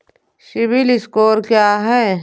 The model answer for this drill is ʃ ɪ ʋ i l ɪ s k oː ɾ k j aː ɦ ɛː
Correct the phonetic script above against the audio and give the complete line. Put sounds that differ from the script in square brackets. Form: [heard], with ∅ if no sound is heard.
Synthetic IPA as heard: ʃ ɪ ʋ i l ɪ s k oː ɾ k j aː ɦ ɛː